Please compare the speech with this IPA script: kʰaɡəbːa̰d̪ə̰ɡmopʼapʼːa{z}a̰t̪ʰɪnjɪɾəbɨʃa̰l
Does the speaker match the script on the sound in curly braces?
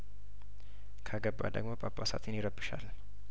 no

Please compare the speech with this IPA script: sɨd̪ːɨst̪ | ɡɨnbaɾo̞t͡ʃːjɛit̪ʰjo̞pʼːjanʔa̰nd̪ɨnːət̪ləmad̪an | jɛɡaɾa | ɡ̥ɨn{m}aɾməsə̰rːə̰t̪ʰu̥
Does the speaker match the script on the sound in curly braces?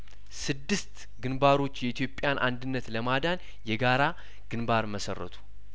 no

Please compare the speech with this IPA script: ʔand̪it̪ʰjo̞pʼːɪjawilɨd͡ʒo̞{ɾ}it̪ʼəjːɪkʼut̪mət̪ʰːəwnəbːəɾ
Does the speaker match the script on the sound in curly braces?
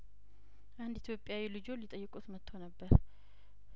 no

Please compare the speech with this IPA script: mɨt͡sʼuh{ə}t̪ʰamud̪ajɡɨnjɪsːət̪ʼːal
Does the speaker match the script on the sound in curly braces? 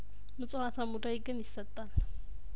no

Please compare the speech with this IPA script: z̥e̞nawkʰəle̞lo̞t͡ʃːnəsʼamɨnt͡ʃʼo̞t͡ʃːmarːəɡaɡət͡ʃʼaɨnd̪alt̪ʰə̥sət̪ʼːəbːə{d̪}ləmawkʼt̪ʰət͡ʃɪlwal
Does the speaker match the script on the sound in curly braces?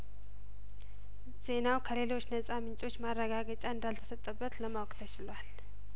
no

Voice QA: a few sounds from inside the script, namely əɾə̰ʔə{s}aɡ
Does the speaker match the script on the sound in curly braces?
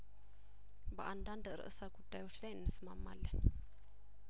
yes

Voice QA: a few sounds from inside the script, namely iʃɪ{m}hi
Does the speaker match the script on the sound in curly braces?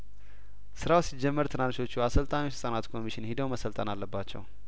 no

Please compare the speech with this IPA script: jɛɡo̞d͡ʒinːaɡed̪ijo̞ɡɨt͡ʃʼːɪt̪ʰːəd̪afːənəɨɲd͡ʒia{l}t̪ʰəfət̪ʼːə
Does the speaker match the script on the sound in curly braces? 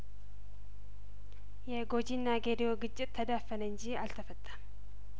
yes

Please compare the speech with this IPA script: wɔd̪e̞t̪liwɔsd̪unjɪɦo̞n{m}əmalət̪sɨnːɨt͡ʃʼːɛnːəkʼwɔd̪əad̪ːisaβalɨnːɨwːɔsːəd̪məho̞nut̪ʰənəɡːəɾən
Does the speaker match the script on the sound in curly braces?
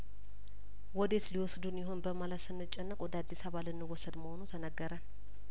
no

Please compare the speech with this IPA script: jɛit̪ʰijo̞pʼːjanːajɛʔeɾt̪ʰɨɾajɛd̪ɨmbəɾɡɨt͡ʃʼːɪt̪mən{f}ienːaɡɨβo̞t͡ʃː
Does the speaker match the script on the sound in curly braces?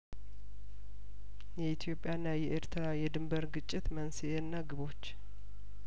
no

